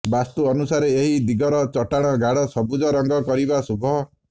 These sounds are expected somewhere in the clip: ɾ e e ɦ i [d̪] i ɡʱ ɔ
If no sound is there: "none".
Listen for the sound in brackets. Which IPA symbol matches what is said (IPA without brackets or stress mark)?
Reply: d̪